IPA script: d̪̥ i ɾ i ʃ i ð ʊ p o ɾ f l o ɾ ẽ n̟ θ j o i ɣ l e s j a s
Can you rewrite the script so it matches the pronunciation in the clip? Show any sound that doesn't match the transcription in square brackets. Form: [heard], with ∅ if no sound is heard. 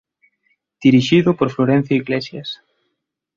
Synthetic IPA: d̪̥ i ɾ i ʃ i ð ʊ p o ɾ f l o ɾ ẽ n̟ θ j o i ɣ l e s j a s

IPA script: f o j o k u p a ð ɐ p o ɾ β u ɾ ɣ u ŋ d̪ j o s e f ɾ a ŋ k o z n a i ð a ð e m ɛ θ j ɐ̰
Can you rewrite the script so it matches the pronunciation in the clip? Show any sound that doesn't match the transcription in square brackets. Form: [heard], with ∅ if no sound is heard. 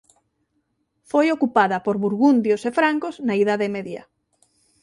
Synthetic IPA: f o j o k u p a ð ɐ p o ɾ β u ɾ ɣ u [n] d̪ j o s e f ɾ a ŋ k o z n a i ð a ð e m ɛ [ð] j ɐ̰

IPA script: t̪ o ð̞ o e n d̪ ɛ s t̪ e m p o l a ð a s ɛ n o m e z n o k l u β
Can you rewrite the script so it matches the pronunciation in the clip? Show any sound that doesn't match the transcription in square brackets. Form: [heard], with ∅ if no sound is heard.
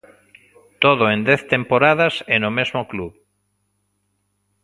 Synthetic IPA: t̪ o ð̞ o e n d̪ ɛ [θ] t̪ e m p o [ɾ] a ð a s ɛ n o m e z [m] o k l u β

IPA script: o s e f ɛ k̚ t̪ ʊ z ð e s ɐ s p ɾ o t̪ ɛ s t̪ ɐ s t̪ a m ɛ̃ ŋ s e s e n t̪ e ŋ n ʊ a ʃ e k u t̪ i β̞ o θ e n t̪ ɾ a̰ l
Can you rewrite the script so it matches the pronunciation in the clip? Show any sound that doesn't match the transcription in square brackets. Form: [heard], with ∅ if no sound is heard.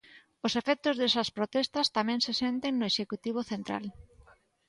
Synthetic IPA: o s e f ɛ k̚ t̪ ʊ z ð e s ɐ s p ɾ o t̪ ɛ s t̪ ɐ s t̪ a m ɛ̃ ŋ s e s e n t̪ e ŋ n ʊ [e] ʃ e k u t̪ i β̞ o θ e n t̪ ɾ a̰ l

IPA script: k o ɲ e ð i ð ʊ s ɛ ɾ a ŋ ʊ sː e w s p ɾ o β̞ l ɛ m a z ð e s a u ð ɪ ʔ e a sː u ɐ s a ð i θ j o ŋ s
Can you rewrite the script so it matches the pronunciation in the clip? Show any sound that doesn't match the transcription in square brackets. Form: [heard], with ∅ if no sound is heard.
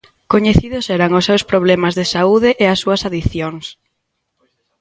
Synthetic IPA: k o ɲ e [θ] i ð ʊ s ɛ ɾ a ŋ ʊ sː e w s p ɾ o β̞ l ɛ m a z ð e s a u ð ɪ ʔ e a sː u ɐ s a ð i θ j o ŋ s

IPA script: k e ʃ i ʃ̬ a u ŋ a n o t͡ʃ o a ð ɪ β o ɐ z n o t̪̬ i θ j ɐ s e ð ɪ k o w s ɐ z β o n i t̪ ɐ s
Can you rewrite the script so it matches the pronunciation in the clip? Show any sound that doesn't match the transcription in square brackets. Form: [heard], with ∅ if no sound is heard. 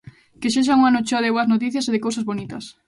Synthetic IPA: k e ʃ [e] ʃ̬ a u ŋ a n o t͡ʃ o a ð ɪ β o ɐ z n o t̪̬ i θ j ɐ s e ð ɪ k o w s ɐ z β o n i t̪ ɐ s

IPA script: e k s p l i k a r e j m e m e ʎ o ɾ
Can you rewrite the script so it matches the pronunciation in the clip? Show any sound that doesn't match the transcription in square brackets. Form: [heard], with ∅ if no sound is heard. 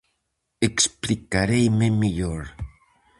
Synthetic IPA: e k s p l i k a [ɾ] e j m e m [i] ʎ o ɾ

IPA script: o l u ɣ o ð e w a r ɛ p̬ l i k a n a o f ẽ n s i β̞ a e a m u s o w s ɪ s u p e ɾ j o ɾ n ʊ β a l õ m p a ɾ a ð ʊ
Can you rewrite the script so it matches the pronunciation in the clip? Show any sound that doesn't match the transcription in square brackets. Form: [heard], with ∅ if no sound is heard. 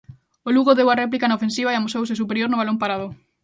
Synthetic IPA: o l u ɣ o ð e w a r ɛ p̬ l i k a n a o f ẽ n s i β̞ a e a m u s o w s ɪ s u p e ɾ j o ɾ n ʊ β a l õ m p a ɾ a ð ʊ

